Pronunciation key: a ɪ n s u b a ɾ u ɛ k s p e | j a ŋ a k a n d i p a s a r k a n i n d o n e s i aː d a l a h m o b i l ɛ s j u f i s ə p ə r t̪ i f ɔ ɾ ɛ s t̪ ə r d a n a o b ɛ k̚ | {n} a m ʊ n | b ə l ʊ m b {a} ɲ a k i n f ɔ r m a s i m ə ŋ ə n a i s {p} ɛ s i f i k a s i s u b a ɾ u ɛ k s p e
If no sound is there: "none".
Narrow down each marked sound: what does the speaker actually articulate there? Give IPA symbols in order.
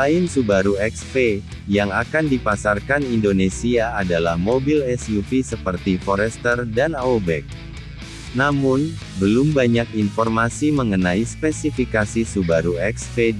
n, a, p

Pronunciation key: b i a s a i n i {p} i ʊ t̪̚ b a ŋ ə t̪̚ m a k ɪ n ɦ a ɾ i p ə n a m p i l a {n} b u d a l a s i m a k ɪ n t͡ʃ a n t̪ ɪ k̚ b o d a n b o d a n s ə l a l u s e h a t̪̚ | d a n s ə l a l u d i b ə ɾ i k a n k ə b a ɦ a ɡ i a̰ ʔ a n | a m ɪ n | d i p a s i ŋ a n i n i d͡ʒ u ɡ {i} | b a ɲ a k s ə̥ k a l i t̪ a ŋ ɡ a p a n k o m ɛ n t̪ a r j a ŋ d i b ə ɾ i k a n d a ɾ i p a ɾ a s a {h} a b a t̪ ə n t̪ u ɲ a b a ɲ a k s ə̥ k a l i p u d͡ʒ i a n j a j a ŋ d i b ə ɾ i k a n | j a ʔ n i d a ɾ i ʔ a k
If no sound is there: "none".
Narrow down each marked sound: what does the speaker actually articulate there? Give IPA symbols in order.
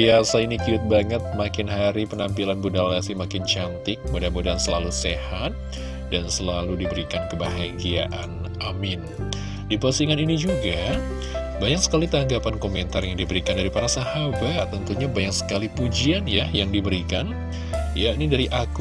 k, n, a, h

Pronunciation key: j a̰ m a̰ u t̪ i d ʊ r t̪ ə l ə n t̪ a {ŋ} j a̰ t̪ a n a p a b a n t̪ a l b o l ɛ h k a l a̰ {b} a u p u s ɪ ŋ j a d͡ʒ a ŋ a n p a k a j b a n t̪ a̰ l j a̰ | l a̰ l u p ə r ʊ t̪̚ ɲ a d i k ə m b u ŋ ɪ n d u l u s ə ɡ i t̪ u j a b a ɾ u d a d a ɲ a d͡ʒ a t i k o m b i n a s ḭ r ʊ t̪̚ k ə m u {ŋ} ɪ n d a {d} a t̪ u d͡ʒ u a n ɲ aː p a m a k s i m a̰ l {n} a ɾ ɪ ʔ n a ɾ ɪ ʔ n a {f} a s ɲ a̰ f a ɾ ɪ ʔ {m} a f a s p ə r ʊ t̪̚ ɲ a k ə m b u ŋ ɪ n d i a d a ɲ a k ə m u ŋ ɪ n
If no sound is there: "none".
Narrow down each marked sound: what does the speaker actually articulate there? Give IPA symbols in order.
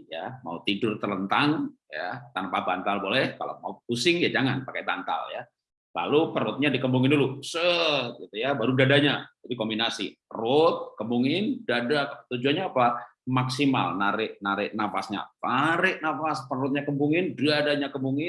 ŋ, m, ŋ, d, n, f, n

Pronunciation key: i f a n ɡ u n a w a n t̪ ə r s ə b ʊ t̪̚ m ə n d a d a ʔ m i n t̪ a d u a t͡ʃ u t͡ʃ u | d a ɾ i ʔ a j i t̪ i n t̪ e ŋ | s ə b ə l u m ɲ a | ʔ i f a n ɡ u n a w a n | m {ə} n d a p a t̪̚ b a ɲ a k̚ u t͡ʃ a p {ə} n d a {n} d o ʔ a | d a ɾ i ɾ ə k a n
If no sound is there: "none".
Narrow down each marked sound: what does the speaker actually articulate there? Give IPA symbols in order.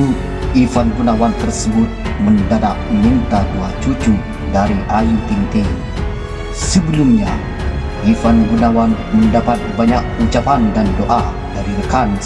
ə, a, n

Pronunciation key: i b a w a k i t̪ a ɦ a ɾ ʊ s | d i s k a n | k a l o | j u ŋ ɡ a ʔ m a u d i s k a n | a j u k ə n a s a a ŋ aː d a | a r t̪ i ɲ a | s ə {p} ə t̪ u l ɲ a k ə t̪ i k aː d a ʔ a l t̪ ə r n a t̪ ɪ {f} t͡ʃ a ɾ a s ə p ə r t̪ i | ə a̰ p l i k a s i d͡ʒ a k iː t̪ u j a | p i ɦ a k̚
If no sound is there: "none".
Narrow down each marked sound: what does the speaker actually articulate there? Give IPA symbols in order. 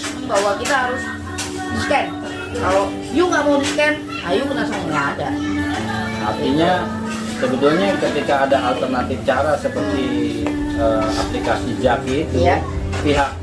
b, f

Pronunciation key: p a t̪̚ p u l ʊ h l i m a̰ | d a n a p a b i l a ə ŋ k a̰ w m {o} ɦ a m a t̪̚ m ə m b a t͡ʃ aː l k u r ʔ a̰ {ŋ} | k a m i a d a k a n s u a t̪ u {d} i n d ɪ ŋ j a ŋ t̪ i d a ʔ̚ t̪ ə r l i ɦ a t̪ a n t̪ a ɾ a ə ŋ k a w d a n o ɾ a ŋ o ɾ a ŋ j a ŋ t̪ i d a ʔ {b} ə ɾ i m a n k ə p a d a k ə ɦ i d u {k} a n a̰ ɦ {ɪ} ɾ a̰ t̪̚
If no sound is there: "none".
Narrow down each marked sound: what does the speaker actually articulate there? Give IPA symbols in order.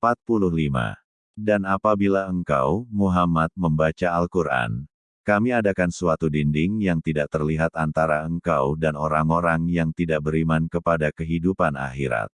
u, n, d, b, p, i

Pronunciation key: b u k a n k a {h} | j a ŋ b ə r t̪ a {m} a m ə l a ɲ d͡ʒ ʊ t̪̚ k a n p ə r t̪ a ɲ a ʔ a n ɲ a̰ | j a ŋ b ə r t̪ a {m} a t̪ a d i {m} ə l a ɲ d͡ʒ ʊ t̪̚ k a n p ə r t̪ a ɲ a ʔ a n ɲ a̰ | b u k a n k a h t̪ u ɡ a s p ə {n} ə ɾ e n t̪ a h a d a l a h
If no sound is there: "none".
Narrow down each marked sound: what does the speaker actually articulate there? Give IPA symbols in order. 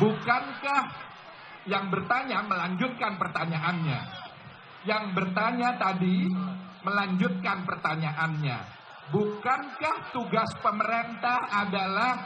h, ɲ, ɲ, m, m

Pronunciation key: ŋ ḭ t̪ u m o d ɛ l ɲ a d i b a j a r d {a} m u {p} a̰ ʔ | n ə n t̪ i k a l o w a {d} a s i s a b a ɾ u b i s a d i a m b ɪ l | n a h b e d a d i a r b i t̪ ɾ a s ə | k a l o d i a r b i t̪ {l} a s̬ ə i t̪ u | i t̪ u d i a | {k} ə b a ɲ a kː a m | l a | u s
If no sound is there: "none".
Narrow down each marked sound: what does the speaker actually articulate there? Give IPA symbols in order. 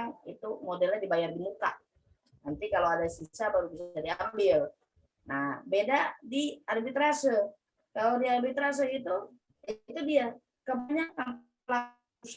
i, k, d, ɾ, k

